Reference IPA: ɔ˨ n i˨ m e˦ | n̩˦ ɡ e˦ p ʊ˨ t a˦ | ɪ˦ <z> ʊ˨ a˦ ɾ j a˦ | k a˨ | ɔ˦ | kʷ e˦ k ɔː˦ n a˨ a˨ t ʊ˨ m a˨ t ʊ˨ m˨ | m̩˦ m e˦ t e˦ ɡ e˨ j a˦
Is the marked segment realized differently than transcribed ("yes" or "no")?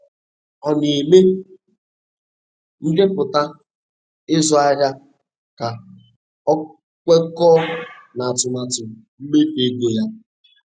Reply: no